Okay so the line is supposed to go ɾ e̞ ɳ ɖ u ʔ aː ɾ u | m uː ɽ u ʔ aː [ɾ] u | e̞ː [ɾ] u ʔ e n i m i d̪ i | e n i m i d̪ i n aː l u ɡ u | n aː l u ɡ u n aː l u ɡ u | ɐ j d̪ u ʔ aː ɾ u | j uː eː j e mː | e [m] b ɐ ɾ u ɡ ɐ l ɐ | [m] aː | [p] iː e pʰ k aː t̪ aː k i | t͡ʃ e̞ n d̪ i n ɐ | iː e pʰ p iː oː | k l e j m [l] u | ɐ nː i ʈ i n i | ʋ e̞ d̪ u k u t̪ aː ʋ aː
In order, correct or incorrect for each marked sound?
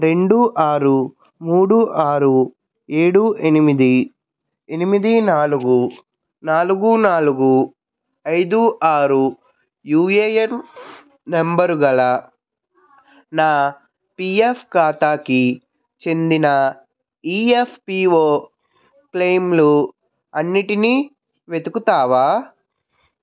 correct, incorrect: ɽ, correct, incorrect: n, correct, correct

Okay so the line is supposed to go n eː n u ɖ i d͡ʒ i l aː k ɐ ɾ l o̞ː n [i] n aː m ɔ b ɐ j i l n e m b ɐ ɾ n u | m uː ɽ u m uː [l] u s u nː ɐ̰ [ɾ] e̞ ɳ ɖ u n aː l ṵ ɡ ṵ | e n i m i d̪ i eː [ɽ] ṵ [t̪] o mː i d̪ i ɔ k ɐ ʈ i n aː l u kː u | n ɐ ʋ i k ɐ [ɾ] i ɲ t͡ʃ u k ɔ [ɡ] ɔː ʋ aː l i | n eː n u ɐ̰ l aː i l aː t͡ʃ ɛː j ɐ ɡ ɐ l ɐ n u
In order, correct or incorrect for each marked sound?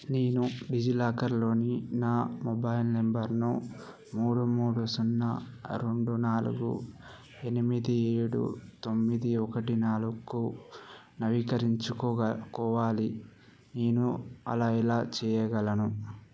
correct, incorrect: ɽ, correct, correct, correct, correct, incorrect: k

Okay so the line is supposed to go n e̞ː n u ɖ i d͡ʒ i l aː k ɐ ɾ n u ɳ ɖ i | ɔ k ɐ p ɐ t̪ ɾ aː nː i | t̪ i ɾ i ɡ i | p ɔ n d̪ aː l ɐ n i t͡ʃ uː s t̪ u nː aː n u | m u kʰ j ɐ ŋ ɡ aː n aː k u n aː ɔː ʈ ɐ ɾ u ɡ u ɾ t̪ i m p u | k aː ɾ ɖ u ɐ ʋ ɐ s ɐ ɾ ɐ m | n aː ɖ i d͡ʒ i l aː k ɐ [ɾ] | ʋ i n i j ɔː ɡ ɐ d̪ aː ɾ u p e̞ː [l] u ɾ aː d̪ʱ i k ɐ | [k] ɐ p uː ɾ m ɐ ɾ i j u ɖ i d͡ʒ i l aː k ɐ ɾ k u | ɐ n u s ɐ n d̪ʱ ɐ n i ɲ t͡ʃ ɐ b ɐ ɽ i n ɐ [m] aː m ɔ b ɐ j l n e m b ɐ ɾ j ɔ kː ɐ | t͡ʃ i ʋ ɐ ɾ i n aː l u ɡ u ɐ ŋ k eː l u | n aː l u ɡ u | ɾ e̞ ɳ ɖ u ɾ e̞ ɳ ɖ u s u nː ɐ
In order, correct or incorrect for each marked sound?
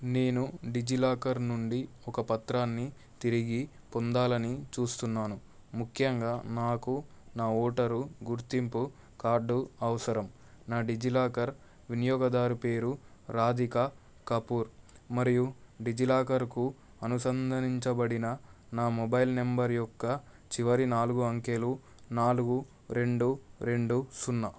correct, incorrect: ɾ, correct, incorrect: n

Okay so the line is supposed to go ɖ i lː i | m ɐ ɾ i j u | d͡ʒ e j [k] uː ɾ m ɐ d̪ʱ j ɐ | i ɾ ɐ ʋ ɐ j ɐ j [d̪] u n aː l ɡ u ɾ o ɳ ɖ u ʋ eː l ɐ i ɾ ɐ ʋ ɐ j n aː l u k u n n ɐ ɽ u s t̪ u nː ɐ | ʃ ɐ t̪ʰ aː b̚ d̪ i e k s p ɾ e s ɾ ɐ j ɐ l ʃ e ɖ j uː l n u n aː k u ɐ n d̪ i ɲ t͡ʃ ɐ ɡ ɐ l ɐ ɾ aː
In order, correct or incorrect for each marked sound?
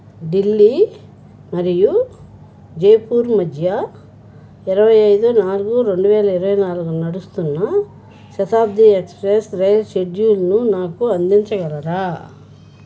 incorrect: p, correct

